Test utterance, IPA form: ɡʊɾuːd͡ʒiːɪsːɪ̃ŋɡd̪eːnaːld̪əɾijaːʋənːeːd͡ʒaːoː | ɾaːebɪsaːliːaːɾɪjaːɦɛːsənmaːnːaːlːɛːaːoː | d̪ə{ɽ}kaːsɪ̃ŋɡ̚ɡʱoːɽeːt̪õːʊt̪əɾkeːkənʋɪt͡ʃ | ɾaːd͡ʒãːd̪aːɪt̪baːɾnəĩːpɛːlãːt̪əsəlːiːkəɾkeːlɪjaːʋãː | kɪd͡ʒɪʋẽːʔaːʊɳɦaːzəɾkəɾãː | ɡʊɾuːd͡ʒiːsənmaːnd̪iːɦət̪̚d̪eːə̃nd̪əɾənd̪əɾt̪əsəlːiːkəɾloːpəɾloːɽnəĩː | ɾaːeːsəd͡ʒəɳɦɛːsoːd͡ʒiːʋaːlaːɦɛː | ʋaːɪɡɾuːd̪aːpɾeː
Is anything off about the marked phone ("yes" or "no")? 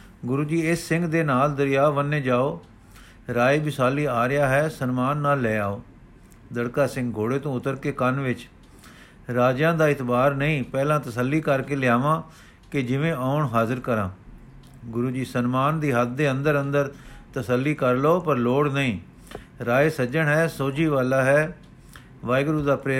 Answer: no